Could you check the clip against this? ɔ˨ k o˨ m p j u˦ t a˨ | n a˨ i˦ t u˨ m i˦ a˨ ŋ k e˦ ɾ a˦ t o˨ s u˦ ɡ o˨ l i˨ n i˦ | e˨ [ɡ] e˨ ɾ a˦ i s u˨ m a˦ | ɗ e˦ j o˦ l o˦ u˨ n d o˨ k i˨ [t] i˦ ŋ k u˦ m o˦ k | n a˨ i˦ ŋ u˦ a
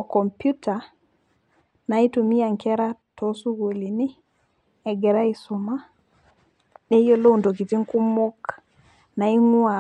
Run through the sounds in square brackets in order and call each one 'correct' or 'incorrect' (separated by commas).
correct, correct